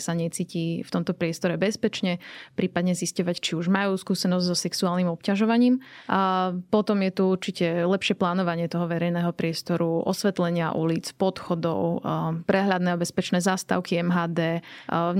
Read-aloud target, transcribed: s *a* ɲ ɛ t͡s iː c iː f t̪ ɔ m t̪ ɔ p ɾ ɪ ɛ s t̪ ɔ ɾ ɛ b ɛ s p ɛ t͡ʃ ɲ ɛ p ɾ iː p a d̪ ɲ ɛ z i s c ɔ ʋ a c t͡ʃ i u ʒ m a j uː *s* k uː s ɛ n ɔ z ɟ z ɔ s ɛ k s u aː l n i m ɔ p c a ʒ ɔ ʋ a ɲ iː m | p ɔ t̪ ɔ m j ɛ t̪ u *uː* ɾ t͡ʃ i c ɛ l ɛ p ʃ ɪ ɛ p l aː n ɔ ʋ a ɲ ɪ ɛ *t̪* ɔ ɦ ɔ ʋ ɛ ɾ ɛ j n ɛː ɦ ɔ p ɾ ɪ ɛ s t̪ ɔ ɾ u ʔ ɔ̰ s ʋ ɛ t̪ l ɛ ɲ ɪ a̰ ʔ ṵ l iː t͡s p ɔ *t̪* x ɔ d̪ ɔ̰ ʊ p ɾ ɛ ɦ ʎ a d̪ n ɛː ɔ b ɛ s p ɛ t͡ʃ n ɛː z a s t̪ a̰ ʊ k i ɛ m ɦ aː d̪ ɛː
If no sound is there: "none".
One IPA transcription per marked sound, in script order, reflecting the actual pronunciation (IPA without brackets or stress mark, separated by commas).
a, s, u, t̪, t̪